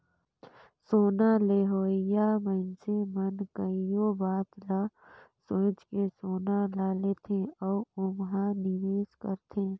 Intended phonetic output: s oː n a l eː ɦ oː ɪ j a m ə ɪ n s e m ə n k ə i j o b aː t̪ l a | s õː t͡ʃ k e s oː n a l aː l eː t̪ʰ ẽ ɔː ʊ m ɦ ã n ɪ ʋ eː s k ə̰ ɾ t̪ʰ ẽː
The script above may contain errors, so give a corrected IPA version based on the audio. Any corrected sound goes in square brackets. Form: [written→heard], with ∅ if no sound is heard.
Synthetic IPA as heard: s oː n a l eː ɦ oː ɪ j a m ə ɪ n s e m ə n k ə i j o b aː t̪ l a | s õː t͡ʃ k e s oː n a l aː l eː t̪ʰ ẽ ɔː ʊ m ɦ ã n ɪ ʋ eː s k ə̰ ɾ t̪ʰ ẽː